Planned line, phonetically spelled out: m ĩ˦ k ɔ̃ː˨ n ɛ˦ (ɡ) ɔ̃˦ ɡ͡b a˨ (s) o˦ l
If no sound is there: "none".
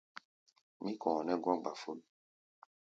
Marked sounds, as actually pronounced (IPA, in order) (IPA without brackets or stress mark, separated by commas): ɡ, f